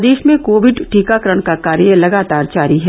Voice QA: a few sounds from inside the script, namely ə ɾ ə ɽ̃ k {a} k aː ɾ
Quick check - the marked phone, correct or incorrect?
correct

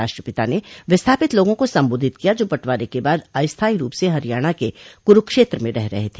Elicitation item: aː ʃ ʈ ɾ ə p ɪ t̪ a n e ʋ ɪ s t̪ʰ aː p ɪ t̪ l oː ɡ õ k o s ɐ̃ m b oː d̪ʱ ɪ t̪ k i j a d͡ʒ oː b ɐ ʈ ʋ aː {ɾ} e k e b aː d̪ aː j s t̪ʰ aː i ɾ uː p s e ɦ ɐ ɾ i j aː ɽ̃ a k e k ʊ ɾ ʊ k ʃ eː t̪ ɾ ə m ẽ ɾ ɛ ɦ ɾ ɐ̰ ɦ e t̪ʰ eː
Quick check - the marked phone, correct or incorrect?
correct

